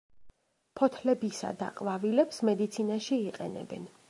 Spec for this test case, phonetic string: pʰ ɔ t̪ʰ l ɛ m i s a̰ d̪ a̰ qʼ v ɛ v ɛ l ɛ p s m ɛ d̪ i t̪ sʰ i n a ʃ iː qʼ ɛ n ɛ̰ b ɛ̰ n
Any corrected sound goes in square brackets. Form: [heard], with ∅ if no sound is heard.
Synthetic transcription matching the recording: pʰ ɔ t̪ʰ l ɛ [b] i s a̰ d̪ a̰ qʼ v [a] v [i] l ɛ p s m ɛ d̪ i t̪ sʰ i n a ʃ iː qʼ ɛ n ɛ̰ b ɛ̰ n